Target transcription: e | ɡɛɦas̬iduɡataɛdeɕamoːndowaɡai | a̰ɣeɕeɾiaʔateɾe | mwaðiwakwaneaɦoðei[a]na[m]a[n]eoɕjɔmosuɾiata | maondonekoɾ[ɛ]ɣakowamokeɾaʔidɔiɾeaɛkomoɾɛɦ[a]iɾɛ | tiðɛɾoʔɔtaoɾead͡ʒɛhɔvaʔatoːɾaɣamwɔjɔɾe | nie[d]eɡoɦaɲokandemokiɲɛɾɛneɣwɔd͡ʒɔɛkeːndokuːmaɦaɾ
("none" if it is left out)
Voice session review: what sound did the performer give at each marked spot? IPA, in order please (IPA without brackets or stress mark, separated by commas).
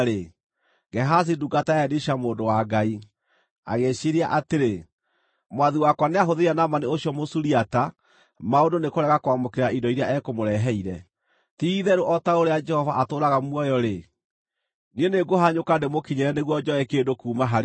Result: a, m, n, ɛ, ɛ, n